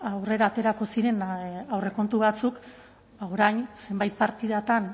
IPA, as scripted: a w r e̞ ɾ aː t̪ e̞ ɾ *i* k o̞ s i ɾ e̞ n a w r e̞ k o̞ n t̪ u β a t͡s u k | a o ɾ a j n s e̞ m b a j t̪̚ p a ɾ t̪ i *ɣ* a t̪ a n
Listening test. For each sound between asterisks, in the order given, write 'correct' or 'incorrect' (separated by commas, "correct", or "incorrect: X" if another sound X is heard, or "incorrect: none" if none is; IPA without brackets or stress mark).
incorrect: a, incorrect: ð